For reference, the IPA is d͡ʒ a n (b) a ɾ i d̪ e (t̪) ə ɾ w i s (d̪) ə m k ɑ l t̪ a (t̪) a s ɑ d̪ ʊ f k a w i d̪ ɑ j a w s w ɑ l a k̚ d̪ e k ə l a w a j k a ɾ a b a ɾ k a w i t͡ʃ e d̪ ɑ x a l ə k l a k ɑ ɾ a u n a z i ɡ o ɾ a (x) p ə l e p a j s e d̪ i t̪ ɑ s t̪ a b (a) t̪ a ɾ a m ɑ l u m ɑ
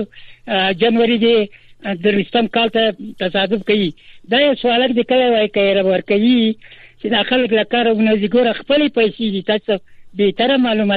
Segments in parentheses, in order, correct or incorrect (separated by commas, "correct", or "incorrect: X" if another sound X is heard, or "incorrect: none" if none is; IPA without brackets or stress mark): incorrect: w, incorrect: d̪, incorrect: t̪, correct, correct, incorrect: e